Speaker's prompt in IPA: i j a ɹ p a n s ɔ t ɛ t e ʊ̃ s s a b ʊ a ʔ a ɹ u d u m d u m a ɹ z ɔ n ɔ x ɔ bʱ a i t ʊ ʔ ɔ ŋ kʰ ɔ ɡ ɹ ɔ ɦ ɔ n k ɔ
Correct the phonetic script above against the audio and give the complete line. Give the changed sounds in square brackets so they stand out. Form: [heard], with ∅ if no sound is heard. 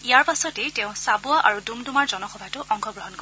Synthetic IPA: i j a ɹ p a [∅] s ɔ t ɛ t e ʊ̃ s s a b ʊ a ʔ a ɹ u d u m d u m a ɹ z ɔ n ɔ x ɔ bʱ a [j] t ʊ ʔ ɔ ŋ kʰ ɔ ɡ ɹ ɔ ɦ ɔ n k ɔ